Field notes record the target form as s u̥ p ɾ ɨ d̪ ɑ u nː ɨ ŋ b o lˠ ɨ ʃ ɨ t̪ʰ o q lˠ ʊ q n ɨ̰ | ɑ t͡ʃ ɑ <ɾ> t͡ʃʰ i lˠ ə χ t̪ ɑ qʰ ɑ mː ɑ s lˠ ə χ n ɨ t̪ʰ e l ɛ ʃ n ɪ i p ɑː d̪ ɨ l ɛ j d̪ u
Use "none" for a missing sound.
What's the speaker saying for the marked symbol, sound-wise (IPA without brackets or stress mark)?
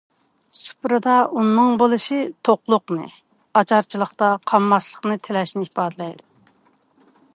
ɾ